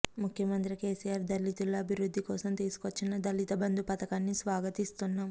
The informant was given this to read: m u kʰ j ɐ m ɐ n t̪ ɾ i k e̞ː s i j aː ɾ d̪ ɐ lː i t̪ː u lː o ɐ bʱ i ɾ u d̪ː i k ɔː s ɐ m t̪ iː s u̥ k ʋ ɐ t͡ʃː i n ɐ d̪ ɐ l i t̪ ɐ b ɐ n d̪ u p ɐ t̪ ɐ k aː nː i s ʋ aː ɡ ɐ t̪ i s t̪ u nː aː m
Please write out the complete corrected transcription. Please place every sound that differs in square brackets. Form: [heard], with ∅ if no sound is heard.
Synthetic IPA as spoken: m u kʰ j ɐ m ɐ n t̪ ɾ i k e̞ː s i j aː ɾ d̪ ɐ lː i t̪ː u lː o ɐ bʱ i ɾ u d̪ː i k ɔː s ɐ m t̪ iː s u̥ k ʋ ɐ t͡ʃː i n ɐ d̪ ɐ l i t̪ ɐ b ɐ n d̪ u p ɐ t̪ ɐ k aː nː i s ʋ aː ɡ ɐ t̪ i s t̪ u nː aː m